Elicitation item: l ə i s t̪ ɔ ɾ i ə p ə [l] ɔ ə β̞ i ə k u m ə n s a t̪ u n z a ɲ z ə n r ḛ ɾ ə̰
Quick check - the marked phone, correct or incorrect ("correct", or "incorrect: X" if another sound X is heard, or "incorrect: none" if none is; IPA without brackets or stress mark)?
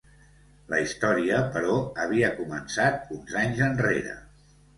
incorrect: ɾ